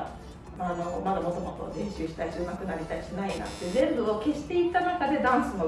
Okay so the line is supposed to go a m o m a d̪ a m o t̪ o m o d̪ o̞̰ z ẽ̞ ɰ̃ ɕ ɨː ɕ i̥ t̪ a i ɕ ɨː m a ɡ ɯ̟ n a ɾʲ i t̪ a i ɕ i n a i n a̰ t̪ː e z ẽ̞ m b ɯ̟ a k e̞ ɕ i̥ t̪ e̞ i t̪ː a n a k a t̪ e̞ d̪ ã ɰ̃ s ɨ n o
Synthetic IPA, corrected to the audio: a n o m a d̪ a m o t̪ o m o t̪ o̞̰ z ẽ̞ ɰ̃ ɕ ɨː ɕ i̥ t̪ a i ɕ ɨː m a k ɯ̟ n a ɾʲ i t̪ a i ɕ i n a i n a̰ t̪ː e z ẽ̞ m b ɯ̟ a k e̞ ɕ i̥ t̪ e̞ i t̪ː a n a k a d̪ e̞ d̪ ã ɰ̃ s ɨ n o